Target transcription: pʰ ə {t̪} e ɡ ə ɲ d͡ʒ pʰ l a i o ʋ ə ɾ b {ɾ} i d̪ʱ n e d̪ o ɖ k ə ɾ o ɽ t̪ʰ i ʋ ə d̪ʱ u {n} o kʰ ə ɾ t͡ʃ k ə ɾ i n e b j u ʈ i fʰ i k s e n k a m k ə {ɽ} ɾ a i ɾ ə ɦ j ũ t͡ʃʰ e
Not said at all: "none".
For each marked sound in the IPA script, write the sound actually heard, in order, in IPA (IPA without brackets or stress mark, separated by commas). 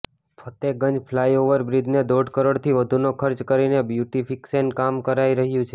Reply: t̪, ɾ, n, none